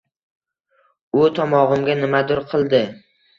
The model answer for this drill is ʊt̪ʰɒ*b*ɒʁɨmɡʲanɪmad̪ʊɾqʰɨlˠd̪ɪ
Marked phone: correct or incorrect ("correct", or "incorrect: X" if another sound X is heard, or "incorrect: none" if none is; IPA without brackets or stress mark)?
incorrect: m